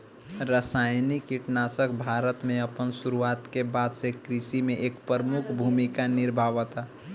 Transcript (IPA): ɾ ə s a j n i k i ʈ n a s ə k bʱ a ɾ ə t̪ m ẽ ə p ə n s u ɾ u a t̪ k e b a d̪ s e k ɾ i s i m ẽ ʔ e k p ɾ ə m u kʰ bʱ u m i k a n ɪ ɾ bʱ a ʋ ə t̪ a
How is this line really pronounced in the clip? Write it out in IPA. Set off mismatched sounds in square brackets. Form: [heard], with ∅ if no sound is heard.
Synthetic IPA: ɾ ə s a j n i k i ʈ n a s ə k bʱ a ɾ ə t̪ m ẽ ə p ə n s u ɾ u a t̪ k e b a d̪ s e k ɾ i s i m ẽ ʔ e k p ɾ ə m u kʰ bʱ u m i k a n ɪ ɾ bʱ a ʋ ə t̪ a